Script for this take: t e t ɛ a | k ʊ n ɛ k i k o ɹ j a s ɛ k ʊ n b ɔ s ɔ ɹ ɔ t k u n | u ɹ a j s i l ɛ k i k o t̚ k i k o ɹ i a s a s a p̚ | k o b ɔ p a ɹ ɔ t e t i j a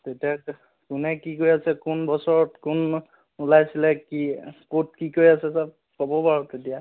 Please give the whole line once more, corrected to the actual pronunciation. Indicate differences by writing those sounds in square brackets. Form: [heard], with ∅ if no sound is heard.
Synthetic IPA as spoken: t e t [i] a | k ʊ n ɛ k i k o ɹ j a s ɛ k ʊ n b ɔ s ɔ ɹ ɔ t k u n | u [l] a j s i l ɛ k i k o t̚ k i k o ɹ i a s [ɛ] s a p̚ | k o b ɔ p a ɹ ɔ t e t i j a

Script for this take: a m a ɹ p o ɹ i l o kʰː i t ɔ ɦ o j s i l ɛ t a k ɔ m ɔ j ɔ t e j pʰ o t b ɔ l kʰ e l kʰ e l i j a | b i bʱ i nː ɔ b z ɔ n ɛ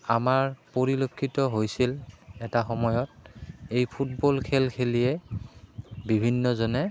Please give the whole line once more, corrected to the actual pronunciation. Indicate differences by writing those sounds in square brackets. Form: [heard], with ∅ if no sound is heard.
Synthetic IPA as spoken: a m a ɹ p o ɹ i l o kʰː i t ɔ ɦ o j s i l ɛ t a [x] ɔ m ɔ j ɔ t e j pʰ [u] t b ɔ l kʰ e l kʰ e l i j [ɛ] | b i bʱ i nː ɔ [∅] z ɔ n ɛ

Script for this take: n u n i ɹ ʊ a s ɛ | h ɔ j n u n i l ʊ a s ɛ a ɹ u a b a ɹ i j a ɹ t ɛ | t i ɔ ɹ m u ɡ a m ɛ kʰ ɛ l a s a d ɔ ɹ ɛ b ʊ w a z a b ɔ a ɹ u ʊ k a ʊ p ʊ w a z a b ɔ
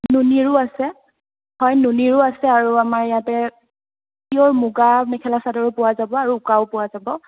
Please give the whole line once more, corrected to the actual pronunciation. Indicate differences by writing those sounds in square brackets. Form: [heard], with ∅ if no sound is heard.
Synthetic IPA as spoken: n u n i ɹ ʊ a s ɛ | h ɔ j n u n i [ɹ] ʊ a s ɛ a ɹ u a [m] a ɹ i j a [∅] t ɛ | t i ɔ ɹ m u ɡ a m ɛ kʰ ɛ l a s a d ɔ ɹ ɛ [p] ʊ w a z a b ɔ a ɹ u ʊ k a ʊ p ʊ w a z a b ɔ

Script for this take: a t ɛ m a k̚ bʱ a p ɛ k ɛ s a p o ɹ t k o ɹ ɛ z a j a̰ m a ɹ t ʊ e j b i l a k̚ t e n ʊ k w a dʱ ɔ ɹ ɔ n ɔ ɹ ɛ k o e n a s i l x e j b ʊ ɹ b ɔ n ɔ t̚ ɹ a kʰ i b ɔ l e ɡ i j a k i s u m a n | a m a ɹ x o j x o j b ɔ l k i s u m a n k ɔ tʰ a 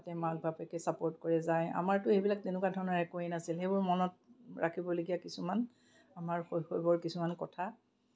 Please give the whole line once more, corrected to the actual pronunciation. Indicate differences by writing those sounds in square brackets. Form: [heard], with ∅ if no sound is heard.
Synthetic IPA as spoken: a t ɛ m a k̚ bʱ a p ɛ k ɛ s a p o ɹ t k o ɹ ɛ z a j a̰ m a ɹ t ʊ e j b i l a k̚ t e n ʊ k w a dʱ ɔ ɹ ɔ n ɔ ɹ ɛ k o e n a s i l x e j b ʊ ɹ [m] ɔ n ɔ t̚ ɹ a kʰ i b ɔ l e ɡ i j a k i s u m a n | a m a ɹ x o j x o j b ɔ [ɹ] k i s u m a n k ɔ tʰ a

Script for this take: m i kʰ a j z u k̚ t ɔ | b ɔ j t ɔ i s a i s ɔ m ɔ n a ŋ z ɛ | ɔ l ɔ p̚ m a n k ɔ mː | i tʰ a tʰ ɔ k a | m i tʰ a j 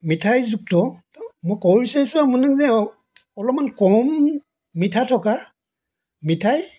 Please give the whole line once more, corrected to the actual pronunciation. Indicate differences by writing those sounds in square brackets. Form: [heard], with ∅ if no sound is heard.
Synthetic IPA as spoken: m i [tʰ] a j z u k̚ t ɔ | [m] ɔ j [k] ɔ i s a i s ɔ m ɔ n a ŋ z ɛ | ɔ l ɔ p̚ m a n k ɔ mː | i tʰ a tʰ ɔ k a | m i tʰ a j

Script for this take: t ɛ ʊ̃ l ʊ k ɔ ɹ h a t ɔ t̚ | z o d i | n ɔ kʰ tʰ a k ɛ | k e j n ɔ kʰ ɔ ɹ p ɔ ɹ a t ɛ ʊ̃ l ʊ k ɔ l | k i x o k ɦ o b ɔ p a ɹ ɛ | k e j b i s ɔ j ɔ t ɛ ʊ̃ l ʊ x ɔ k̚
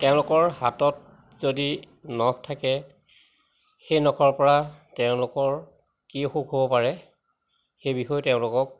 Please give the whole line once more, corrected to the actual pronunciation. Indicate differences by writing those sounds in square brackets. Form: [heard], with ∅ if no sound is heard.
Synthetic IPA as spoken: t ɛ ʊ̃ l ʊ k ɔ ɹ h a t ɔ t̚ | z o d i | n ɔ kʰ tʰ a k ɛ | [x] e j n ɔ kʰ ɔ ɹ p ɔ ɹ a t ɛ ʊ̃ l ʊ k ɔ [ɹ] | k i x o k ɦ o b ɔ p a ɹ ɛ | [x] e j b i [x] ɔ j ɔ t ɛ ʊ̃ l ʊ [k] ɔ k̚

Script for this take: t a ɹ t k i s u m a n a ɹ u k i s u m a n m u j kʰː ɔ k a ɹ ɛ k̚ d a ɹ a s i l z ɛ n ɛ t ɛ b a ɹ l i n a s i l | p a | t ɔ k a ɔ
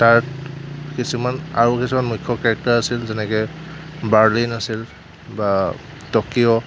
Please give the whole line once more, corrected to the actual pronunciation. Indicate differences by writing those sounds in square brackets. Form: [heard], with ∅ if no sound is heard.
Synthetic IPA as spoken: t a ɹ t k i s u m a n a ɹ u k i s u m a n m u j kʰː ɔ k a ɹ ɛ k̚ [t] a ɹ a s i l z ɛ n ɛ [k] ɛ b a ɹ l i n a s i l | [b] a | t ɔ k [i] ɔ

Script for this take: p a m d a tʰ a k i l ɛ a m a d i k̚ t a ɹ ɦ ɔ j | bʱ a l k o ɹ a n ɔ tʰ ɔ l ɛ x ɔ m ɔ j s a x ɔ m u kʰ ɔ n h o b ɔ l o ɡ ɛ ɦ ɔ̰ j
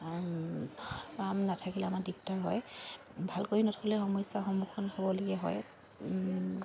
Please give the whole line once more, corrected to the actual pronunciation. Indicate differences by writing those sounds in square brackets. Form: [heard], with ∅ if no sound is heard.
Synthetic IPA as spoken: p a m [n] a tʰ a k i l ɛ a m a d i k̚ t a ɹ ɦ ɔ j | bʱ a l k o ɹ [i] n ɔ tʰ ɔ l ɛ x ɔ m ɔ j s a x ɔ m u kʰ ɔ n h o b ɔ l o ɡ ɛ ɦ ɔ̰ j

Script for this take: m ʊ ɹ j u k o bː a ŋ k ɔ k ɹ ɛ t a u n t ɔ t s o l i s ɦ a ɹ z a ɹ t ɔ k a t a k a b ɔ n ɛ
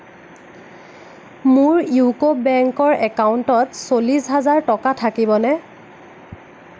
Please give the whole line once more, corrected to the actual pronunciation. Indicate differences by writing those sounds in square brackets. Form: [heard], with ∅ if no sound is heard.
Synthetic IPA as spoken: m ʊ ɹ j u k o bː [ɛ] ŋ k ɔ [∅] ɹ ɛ [k] a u n t ɔ t s o l i s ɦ a [∅] z a ɹ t ɔ k a [tʰ] a k [i] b ɔ n ɛ

